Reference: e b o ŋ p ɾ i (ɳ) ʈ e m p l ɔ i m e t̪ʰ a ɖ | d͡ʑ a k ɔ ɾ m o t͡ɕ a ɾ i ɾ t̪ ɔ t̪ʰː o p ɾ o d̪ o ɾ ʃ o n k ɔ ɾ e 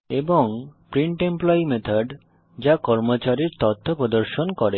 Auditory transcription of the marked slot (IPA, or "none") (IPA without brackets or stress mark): ɳ